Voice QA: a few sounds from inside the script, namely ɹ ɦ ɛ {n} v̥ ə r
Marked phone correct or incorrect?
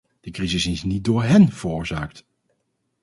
correct